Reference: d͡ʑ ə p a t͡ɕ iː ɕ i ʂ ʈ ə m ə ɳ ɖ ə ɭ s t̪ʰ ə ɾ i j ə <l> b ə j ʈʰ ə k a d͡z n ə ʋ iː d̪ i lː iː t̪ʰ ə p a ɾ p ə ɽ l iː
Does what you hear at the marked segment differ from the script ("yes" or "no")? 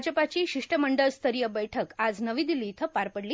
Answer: yes